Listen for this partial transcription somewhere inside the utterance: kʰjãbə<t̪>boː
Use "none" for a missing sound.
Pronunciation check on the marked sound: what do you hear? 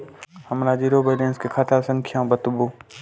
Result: t̪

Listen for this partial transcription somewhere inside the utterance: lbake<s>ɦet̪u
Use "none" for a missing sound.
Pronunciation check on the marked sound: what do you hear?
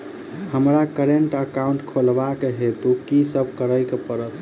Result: none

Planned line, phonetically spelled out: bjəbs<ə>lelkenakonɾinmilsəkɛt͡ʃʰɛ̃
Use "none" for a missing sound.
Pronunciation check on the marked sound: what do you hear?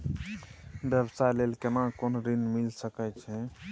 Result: a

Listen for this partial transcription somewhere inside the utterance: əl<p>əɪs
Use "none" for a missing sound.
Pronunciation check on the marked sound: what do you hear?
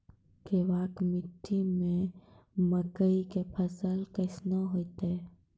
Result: k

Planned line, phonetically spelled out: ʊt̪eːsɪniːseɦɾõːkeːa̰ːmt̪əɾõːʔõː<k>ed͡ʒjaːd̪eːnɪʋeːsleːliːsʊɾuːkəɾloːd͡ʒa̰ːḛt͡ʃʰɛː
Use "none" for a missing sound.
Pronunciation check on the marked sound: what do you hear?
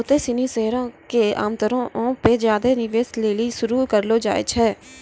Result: p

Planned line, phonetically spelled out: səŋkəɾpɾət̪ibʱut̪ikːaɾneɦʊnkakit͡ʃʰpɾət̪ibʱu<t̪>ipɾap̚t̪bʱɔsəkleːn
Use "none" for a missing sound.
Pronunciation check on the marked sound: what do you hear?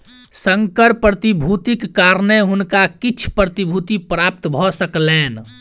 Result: t̪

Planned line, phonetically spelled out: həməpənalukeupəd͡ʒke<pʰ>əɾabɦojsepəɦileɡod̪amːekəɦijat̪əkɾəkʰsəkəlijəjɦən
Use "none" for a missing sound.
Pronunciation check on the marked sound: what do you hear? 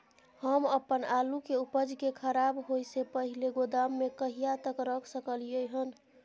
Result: kʰ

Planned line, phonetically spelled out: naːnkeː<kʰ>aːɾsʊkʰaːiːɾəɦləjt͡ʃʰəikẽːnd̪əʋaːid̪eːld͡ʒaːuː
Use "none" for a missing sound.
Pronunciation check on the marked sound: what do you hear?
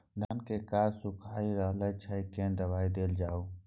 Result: k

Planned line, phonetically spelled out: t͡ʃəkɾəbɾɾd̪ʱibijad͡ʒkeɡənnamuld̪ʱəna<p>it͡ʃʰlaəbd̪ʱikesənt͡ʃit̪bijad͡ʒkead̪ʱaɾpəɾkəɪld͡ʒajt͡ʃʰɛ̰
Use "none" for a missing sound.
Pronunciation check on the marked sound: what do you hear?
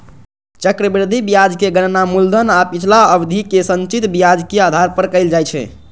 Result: p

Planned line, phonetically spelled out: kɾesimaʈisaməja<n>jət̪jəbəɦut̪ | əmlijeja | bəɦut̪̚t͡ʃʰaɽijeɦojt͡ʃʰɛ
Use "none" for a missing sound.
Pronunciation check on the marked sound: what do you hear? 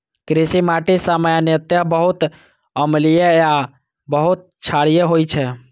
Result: n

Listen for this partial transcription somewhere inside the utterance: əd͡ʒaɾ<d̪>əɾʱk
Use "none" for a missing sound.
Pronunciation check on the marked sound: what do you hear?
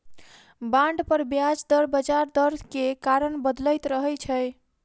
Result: d̪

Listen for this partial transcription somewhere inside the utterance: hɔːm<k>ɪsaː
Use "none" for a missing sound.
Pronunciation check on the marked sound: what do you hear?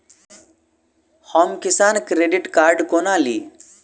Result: k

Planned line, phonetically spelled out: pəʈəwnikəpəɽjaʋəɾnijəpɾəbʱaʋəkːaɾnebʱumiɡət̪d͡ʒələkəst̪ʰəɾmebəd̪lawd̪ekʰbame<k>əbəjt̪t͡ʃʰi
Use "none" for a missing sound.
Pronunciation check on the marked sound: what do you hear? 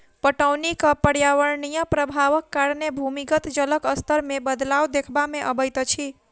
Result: ʔ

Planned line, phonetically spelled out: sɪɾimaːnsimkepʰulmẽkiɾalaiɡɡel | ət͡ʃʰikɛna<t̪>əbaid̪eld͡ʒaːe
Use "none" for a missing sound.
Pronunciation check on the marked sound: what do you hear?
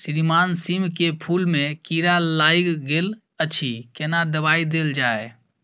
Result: d̪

